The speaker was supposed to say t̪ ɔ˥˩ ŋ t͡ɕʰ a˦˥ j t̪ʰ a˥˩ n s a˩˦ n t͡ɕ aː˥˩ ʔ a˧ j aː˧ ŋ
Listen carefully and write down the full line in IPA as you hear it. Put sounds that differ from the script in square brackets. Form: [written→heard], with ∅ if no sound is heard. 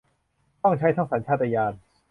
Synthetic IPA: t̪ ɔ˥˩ ŋ t͡ɕʰ a˦˥ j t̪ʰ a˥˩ [n→ŋ] s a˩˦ n [t͡ɕ→t͡ɕʰ] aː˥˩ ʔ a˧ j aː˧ [ŋ→n]